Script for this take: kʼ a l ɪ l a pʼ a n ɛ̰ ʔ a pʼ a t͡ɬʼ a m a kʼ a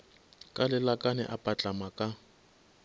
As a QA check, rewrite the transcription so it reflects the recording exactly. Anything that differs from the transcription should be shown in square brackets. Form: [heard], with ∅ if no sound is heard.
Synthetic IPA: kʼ a l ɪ l a [kʼ] a n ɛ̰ ʔ a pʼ a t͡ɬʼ a m a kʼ a